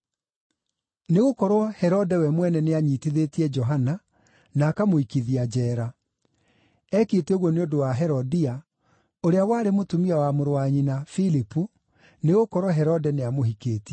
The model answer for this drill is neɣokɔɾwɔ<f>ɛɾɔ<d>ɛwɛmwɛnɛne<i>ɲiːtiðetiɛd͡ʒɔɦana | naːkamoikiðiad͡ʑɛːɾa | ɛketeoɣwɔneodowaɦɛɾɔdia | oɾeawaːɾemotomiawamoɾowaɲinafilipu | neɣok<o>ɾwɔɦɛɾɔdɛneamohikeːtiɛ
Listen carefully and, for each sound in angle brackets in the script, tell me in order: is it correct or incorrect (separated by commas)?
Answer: incorrect, correct, incorrect, incorrect